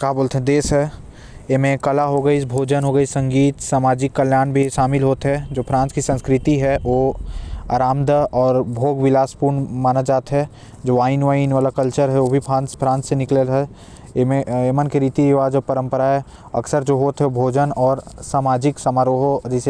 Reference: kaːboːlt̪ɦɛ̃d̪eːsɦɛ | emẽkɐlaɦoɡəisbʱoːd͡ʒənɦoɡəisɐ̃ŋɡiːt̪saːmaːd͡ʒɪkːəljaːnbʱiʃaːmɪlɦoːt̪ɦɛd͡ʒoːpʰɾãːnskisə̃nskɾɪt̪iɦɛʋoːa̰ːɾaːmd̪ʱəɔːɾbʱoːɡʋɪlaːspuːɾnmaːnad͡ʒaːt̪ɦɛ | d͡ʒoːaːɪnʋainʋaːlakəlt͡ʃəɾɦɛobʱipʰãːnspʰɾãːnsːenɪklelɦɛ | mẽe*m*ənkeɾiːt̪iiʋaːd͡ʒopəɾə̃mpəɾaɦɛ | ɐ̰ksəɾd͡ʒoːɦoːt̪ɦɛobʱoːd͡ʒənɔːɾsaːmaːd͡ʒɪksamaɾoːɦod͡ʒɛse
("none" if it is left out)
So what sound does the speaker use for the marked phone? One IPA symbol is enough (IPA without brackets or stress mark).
m